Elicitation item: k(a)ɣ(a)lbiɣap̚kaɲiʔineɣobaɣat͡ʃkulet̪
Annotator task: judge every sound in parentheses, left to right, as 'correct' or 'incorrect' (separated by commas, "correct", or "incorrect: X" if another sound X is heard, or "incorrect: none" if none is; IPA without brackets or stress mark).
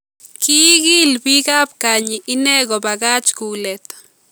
incorrect: i, incorrect: i